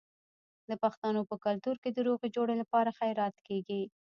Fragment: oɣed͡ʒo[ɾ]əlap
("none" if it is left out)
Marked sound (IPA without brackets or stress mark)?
ɽ